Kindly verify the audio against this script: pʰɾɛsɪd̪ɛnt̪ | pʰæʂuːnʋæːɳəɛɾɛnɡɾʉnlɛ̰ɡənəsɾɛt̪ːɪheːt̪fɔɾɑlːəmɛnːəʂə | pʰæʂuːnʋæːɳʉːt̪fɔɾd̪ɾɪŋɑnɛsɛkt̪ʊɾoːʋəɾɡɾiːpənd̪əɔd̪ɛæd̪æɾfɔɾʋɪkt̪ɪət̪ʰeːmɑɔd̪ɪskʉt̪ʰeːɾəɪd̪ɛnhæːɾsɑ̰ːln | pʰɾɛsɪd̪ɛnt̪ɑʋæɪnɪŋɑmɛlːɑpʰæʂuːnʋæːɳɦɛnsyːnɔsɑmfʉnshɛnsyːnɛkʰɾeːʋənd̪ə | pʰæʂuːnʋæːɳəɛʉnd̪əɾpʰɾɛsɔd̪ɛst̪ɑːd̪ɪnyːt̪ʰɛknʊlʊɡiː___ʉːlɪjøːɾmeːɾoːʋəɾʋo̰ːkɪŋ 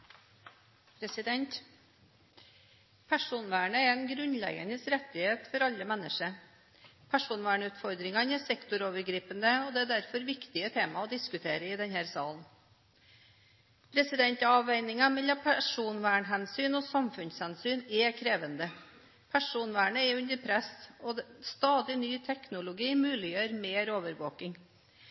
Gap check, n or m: m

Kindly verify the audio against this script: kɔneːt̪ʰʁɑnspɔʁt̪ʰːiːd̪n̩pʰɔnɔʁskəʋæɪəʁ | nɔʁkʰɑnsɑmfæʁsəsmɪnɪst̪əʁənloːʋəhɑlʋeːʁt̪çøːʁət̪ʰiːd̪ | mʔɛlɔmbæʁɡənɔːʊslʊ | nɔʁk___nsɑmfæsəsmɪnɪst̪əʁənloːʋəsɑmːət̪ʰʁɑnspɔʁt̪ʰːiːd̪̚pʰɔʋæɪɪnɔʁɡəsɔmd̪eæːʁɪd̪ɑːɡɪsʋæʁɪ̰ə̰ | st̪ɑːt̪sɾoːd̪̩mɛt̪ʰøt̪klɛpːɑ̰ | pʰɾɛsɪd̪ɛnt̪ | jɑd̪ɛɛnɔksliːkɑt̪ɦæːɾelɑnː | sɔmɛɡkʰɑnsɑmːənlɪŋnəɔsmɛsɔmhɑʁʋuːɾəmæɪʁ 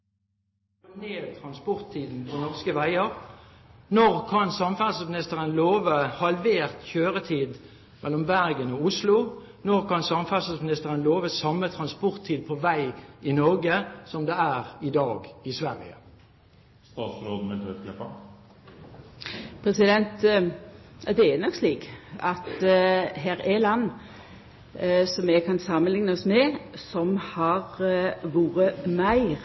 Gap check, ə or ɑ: ɑ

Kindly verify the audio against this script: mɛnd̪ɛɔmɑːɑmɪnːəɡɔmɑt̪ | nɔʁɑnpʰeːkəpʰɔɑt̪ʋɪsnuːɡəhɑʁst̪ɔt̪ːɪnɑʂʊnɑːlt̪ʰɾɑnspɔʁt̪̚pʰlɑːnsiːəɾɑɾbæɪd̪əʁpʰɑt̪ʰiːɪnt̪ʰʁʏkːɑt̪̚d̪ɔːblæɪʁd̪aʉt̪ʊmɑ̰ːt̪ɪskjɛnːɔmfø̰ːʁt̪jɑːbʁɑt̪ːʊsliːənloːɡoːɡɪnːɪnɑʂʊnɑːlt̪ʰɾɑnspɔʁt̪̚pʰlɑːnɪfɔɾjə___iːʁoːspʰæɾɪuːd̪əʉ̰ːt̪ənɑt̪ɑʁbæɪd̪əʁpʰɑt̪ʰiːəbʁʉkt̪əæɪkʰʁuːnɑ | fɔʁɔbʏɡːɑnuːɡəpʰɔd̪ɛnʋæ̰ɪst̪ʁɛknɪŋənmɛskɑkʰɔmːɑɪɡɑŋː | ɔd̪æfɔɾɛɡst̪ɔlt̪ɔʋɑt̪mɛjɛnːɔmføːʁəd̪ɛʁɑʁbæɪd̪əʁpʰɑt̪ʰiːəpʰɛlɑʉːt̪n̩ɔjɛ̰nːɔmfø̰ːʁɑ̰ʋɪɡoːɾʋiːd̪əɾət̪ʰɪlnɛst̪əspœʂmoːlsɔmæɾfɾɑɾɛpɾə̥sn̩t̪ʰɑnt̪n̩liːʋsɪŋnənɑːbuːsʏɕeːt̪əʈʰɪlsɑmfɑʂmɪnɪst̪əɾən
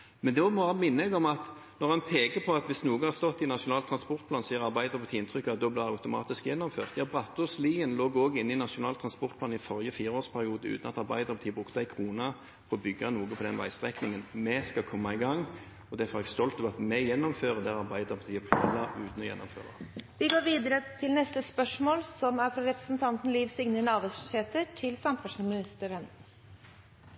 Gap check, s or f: f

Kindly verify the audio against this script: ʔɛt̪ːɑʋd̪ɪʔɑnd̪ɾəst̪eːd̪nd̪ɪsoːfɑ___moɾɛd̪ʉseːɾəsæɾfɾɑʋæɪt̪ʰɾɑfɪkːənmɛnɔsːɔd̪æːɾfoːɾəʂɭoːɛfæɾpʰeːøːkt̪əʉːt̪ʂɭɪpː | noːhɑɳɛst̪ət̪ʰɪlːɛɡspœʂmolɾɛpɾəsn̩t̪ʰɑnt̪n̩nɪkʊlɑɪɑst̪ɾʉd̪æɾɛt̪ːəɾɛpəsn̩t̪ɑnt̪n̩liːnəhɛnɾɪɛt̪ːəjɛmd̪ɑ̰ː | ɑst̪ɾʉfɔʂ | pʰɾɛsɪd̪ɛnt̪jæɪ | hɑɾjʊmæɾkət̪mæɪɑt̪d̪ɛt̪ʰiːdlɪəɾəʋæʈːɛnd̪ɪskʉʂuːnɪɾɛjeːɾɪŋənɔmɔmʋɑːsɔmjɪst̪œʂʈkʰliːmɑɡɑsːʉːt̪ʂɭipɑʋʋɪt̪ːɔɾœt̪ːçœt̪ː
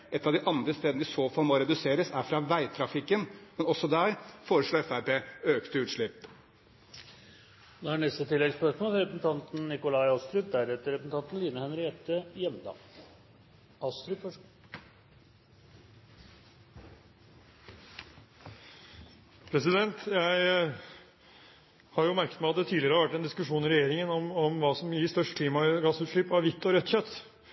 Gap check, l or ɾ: l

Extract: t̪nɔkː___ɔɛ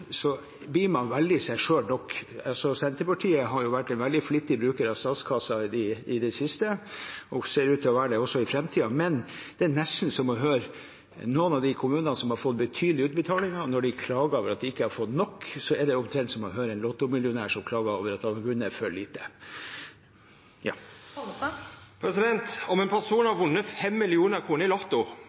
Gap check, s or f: s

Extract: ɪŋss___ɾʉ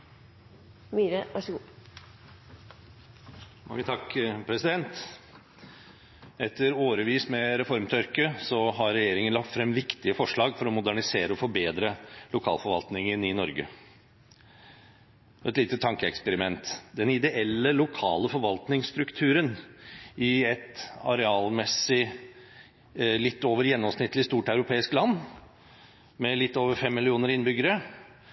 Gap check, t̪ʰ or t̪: t̪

